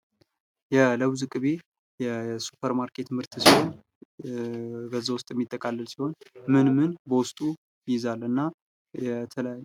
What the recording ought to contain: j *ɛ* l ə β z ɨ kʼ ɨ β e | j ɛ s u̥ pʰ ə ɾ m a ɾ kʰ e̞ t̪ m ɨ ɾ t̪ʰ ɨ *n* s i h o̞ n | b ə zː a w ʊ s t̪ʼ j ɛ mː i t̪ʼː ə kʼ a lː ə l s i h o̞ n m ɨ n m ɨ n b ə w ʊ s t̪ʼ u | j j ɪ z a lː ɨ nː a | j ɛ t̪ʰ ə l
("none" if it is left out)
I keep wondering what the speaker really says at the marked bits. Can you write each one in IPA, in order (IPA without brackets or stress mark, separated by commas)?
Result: ɛ, none